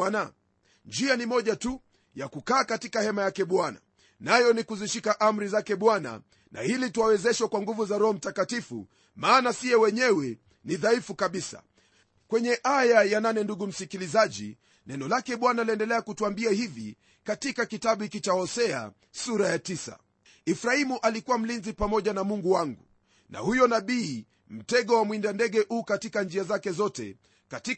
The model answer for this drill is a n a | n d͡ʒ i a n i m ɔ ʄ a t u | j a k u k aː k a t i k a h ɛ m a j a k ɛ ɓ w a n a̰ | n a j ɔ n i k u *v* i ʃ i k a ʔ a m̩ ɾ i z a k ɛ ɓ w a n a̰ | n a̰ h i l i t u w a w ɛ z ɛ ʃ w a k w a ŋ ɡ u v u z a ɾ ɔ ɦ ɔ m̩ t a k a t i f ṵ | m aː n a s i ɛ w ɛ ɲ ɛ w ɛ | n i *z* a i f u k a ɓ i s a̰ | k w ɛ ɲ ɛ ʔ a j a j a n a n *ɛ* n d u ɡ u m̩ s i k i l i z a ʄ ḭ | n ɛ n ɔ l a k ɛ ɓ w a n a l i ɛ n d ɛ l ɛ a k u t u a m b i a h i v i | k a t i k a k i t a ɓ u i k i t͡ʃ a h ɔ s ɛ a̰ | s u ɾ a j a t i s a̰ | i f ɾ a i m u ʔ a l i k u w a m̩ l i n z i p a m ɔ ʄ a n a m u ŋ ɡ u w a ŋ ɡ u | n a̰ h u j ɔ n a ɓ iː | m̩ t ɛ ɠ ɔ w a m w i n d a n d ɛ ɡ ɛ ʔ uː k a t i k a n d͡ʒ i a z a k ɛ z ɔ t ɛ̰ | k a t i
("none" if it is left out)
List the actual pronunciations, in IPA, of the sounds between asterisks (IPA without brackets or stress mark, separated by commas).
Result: z, ð, ɛ